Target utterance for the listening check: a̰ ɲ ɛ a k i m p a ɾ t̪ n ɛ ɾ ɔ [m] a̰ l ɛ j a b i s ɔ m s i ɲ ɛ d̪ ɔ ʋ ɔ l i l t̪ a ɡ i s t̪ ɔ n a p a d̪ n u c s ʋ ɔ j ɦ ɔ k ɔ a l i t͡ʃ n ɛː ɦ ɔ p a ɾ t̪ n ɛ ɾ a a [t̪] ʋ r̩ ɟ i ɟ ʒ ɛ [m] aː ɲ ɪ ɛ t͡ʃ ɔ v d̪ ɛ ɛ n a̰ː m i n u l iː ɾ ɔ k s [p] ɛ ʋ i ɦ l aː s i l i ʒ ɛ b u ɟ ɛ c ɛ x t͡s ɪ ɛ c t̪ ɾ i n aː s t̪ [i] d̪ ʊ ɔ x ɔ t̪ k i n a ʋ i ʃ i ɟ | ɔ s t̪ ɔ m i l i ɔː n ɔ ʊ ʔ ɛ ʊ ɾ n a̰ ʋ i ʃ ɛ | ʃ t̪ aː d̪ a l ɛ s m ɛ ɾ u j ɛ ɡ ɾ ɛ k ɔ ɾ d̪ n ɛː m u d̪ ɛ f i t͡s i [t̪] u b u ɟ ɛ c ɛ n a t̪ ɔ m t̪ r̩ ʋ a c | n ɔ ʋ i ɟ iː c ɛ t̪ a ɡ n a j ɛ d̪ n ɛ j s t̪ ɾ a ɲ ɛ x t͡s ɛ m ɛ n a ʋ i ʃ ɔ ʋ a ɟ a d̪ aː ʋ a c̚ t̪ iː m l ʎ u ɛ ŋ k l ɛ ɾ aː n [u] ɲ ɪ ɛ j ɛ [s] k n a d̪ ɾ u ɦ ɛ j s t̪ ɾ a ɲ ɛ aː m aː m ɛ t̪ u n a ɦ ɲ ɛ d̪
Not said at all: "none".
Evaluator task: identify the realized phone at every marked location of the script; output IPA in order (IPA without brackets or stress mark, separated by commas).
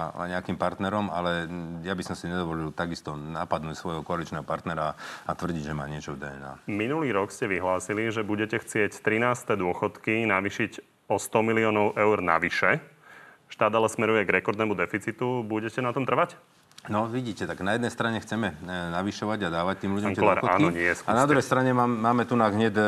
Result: m, t̪, m, c, ɛ, t̪, ɔ, s